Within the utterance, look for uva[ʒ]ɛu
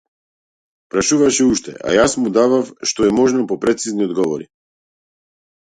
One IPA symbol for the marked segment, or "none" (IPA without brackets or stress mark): ʃ